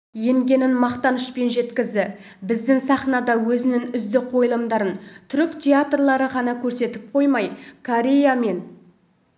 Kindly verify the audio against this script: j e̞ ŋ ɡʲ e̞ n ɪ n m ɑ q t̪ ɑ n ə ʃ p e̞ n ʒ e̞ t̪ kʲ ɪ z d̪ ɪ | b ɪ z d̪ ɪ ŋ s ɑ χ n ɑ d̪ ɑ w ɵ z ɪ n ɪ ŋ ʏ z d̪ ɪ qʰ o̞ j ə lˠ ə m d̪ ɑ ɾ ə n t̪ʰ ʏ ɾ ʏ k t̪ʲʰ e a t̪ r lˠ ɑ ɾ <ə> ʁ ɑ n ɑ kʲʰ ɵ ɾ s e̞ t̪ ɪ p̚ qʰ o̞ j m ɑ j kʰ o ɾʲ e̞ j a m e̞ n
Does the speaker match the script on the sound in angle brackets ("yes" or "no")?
yes